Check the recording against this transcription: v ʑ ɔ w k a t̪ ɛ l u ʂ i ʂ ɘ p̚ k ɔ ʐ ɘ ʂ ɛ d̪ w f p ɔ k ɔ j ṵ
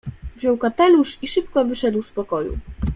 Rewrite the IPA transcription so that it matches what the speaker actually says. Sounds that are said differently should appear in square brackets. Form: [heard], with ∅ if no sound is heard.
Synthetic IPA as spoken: v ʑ ɔ w k a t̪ ɛ l u ʂ i ʂ ɘ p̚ k ɔ [v] ɘ ʂ ɛ d̪ w [s] p ɔ k ɔ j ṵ